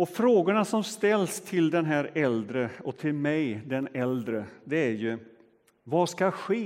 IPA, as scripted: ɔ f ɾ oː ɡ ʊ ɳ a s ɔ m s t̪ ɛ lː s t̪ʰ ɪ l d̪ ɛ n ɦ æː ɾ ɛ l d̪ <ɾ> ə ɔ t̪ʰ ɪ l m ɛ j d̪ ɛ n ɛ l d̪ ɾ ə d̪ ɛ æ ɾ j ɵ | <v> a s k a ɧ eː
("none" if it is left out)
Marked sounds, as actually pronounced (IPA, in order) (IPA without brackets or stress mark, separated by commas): ɾ, v